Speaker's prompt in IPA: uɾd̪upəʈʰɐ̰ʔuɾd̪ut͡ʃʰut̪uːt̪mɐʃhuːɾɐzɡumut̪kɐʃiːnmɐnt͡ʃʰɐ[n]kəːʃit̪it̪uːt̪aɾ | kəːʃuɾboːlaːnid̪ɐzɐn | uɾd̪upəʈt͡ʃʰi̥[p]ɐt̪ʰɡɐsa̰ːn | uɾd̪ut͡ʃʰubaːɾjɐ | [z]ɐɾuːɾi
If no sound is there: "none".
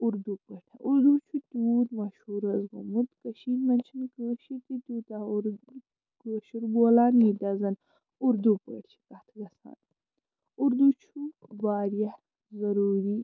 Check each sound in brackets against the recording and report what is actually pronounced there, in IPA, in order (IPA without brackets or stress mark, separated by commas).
n, k, z